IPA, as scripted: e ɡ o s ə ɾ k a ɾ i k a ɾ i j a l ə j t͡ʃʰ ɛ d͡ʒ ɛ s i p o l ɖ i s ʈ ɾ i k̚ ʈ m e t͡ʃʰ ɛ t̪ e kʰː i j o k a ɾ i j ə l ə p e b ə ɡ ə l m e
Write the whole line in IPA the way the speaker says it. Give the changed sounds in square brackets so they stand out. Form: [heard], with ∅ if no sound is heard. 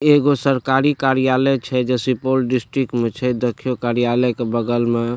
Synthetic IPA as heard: e ɡ o s ə ɾ k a ɾ i k a ɾ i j a l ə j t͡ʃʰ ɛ d͡ʒ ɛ s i p o l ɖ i s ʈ ɾ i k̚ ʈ m e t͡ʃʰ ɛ [d̪] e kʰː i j o k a ɾ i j [a] l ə [k] e b ə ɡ ə l m e